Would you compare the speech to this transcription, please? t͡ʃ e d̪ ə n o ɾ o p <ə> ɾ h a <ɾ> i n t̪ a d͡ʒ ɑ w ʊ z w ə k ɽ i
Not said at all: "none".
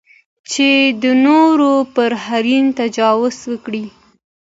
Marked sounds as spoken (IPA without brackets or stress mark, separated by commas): ə, ɾ